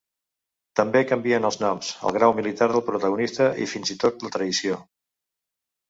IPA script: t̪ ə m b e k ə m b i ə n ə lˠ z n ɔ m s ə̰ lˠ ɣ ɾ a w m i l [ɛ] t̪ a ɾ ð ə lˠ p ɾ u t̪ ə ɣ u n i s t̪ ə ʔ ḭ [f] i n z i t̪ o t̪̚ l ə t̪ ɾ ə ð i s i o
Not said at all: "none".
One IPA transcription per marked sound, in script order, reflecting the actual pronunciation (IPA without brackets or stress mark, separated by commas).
i, f